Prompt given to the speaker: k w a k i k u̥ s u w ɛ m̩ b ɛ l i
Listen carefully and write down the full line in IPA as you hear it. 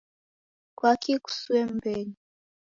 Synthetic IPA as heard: k w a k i k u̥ s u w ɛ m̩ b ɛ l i